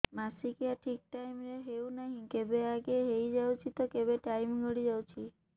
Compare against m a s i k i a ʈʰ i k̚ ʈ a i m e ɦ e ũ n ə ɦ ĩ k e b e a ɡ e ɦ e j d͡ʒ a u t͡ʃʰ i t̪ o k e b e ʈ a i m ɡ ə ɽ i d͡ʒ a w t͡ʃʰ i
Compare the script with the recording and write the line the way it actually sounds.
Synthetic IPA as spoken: m a s i k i a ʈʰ i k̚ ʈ a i m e ɦ e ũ n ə ɦ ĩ k e b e a ɡ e ɦ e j d͡ʒ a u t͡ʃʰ i t̪ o k e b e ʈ a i m ɡ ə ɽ i d͡ʒ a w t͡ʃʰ i